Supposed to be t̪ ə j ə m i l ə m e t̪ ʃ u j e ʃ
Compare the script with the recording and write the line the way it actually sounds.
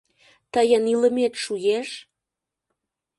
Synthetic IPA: t̪ ə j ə n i l ə m e t̪ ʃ u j e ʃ